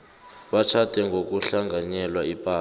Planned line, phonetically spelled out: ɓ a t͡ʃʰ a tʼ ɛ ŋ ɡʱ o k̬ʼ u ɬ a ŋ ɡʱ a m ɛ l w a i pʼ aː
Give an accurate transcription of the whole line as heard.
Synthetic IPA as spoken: ɓ a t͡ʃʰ a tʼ ɛ ŋ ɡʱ o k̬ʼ u ɬ a ŋ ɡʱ a ɲ ɛ l w a i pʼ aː